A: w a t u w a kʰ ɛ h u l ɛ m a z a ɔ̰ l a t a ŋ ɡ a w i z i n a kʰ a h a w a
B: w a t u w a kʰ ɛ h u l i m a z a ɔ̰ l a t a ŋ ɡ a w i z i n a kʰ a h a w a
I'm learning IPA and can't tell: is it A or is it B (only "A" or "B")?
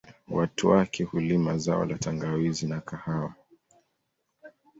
B